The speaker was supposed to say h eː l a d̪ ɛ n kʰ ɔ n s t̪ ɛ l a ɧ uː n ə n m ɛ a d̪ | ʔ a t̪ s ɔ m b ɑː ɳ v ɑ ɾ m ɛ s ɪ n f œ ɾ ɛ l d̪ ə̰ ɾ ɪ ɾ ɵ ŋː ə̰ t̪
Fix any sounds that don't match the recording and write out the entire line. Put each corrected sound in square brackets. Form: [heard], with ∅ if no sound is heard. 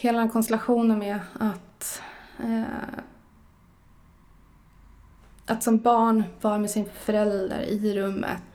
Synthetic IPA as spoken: h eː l a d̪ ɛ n kʰ ɔ n s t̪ ɛ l a ɧ uː n ə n m ɛ a [t̪] | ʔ a t̪ s ɔ m b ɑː ɳ v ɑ ɾ m ɛ s ɪ n f œ ɾ ɛ l d̪ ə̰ ɾ ɪ ɾ ɵ [mː] ə̰ t̪